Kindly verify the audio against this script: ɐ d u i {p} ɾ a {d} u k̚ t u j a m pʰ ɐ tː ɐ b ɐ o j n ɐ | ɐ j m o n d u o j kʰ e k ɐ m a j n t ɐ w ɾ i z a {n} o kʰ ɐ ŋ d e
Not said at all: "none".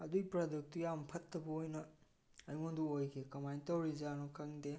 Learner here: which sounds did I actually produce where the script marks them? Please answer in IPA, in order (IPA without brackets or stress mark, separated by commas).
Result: p, d, n